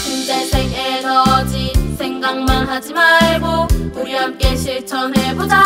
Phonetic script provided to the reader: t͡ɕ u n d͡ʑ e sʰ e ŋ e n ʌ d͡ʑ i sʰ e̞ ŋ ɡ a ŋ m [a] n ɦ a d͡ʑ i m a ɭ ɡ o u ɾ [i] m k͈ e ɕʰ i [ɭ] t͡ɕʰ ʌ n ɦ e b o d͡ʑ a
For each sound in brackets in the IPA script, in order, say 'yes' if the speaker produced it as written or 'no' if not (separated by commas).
yes, no, yes